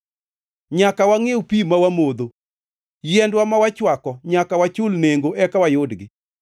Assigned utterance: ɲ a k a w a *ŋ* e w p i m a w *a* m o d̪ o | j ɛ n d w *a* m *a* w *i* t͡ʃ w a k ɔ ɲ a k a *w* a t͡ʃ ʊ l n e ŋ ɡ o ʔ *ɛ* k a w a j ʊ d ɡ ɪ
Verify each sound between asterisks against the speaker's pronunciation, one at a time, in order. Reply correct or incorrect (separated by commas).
correct, correct, correct, correct, incorrect, correct, correct